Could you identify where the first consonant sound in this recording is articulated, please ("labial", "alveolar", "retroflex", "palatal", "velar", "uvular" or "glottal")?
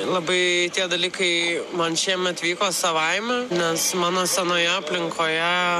alveolar